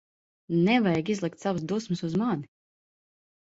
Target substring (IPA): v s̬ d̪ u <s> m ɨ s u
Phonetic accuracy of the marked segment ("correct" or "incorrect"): correct